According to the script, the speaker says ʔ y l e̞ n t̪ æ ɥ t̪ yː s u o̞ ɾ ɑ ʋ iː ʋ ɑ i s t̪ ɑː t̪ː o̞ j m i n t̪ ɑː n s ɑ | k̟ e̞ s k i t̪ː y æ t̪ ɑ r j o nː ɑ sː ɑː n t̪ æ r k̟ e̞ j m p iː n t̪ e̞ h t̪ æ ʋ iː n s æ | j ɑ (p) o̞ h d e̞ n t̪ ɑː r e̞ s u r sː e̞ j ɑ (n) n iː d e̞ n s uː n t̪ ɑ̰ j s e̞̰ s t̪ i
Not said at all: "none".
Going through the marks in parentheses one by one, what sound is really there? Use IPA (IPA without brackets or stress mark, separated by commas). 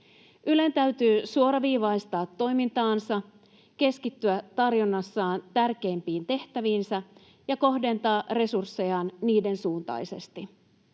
k, n